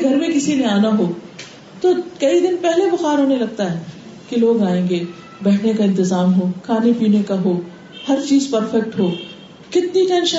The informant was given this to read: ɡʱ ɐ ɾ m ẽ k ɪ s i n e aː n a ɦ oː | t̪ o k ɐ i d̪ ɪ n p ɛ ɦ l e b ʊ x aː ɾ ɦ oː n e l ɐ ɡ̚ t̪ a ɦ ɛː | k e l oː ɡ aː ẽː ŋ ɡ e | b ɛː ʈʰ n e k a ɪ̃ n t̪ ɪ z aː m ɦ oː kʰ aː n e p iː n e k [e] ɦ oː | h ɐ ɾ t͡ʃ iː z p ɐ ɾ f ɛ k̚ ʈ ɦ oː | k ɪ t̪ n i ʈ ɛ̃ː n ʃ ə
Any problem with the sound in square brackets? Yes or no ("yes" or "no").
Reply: yes